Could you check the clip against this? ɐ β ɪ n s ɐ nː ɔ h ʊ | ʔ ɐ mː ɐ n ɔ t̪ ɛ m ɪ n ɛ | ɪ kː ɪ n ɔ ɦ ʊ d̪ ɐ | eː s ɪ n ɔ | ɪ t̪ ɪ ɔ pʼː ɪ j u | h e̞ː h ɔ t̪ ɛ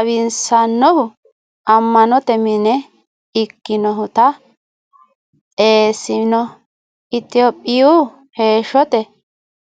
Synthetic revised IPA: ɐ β ɪ n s ɐ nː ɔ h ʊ | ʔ ɐ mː ɐ n ɔ t̪ ɛ m ɪ n ɛ | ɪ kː ɪ n ɔ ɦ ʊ t̪ ɐ | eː s ɪ n ɔ | ɪ t̪ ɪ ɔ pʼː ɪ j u | h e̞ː ʃ ɔ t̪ ɛ